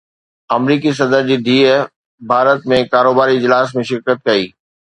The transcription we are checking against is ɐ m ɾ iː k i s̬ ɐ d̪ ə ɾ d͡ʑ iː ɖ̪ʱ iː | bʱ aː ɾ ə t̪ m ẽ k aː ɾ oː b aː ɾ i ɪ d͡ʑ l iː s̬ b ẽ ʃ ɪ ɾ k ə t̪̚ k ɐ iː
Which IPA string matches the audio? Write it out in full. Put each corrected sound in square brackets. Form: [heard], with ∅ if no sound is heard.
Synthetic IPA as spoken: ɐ m ɾ iː k i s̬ ɐ d̪ ə ɾ d͡ʑ iː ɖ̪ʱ iː | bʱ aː ɾ ə t̪ m ẽ k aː ɾ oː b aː ɾ i ɪ d͡ʑ l [aː] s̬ [m] ẽ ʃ ɪ ɾ k ə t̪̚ k ɐ iː